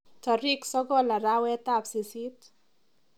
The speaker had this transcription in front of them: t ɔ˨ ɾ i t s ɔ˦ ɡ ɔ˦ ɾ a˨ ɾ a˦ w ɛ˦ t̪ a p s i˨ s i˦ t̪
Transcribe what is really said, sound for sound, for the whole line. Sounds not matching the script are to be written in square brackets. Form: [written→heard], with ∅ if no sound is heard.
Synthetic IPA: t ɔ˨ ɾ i [t→k] s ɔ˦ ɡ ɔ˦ [ɾ→l] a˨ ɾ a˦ w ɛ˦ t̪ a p s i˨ s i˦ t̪

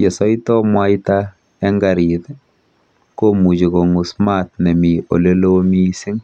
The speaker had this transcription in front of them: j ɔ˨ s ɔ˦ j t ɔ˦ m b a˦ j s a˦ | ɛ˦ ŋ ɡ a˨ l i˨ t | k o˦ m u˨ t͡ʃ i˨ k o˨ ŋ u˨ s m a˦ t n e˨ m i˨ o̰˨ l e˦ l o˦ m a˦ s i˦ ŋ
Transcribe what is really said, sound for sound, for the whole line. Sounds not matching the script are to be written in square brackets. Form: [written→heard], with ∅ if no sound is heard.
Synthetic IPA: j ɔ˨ s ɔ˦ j t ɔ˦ m [b→w] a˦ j [s→t] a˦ | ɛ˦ ŋ ɡ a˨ [l→ɾ] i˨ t | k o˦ m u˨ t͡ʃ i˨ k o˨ ŋ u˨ s m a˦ t n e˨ m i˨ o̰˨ l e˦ l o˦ m [a˦→i˦] s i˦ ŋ

